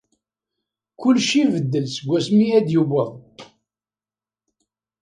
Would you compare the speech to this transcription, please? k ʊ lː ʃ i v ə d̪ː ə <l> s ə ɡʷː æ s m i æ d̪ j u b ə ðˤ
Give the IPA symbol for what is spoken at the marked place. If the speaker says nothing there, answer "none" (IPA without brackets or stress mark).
l